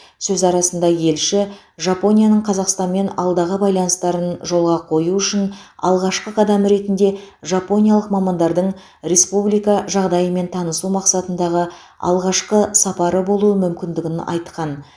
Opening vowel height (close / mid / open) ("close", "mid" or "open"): mid